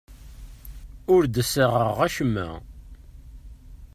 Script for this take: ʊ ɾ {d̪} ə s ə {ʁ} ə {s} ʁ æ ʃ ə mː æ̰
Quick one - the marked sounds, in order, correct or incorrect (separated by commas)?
correct, correct, incorrect